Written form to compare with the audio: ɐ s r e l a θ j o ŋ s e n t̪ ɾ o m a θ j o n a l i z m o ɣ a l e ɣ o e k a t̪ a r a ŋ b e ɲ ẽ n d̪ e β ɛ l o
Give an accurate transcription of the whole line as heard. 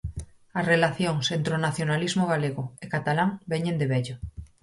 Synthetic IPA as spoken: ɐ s r e l a θ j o ŋ s e n t̪ ɾ o n a θ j o n a l i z m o ɣ a l e ɣ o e k a t̪ a l a ŋ b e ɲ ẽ n d̪ e β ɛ ʎ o